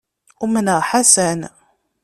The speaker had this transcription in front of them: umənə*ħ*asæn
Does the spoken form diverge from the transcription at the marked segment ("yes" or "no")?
no